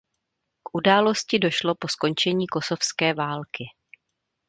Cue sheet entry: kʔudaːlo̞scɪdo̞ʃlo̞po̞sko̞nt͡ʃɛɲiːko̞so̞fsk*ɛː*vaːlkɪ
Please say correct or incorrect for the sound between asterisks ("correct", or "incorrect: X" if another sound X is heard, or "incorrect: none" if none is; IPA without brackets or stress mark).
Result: correct